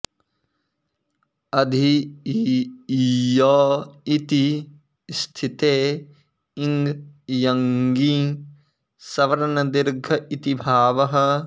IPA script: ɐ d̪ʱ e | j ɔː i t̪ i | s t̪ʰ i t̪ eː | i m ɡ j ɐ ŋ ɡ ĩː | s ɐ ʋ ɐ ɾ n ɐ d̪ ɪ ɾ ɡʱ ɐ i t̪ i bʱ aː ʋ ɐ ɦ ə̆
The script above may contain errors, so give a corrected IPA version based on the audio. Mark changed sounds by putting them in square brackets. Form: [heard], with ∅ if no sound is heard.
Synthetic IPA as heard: ɐ d̪ʱ [i] | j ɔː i t̪ i | s t̪ʰ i t̪ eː | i [ŋ] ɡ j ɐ ŋ ɡ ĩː | s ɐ ʋ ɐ ɾ n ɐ d̪ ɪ ɾ ɡʱ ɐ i t̪ i bʱ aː ʋ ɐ ɦ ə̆

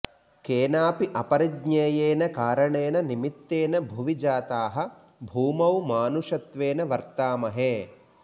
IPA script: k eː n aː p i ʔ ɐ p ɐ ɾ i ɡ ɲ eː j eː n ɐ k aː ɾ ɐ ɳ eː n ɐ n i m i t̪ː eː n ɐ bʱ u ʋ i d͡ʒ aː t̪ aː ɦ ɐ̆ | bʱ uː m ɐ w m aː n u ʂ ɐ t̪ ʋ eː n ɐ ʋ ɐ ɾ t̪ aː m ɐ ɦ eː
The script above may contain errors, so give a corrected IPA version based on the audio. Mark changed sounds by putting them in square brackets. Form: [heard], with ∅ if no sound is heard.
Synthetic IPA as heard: k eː n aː p i ʔ ɐ p ɐ ɾ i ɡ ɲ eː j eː n ɐ k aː ɾ ɐ ɳ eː n ɐ n i m i t̪ː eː n ɐ bʱ u ʋ i d͡ʒ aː t̪ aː ɦ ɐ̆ | bʱ uː m ɐ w m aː n u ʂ ɐ t̪ ʋ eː n ɐ ʋ ɐ ɾ t̪ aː m ɐ ɦ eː

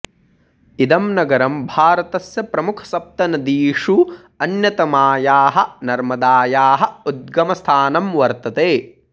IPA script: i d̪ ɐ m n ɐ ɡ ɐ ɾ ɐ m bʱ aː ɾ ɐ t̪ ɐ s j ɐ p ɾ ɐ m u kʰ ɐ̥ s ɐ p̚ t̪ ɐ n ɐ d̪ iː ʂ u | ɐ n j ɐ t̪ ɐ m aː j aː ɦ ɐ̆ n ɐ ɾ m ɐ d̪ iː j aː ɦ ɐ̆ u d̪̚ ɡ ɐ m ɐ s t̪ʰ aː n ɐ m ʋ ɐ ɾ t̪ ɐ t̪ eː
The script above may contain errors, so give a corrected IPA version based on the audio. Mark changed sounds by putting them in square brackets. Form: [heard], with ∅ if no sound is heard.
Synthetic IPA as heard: i d̪ ɐ m n ɐ ɡ ɐ ɾ ɐ m bʱ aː ɾ ɐ t̪ ɐ s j ɐ p ɾ ɐ m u kʰ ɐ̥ s ɐ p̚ t̪ ɐ n ɐ d̪ iː ʂ u | ɐ n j ɐ t̪ ɐ m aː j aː ɦ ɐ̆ n ɐ ɾ m ɐ d̪ [aː] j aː ɦ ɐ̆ u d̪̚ ɡ ɐ m ɐ s t̪ʰ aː n ɐ m ʋ ɐ ɾ t̪ ɐ t̪ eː

